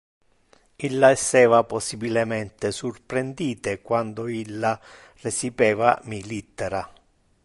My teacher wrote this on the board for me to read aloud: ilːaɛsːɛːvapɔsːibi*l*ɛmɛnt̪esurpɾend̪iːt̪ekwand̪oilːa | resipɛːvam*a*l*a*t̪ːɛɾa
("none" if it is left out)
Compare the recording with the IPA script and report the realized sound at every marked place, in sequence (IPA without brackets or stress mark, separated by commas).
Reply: l, i, i